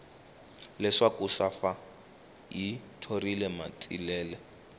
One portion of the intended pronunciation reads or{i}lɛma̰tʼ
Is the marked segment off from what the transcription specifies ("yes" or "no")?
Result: no